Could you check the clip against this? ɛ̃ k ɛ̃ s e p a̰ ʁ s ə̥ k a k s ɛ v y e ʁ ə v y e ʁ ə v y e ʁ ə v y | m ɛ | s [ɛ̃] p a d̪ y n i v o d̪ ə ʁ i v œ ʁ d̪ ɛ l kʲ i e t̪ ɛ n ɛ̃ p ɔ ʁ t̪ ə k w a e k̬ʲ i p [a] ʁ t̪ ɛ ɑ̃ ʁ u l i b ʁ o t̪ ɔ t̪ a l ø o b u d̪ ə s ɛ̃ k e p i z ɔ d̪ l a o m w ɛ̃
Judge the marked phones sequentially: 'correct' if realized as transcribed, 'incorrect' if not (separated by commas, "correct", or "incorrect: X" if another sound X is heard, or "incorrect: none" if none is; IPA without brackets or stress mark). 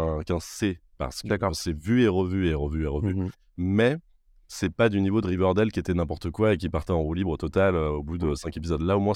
incorrect: ɛ, correct